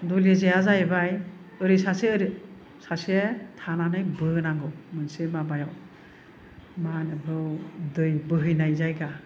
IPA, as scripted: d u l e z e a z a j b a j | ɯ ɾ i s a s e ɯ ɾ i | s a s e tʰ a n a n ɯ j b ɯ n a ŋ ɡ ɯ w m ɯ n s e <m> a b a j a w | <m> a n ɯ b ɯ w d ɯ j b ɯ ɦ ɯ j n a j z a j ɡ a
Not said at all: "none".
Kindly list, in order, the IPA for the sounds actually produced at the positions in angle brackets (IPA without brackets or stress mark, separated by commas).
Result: m, m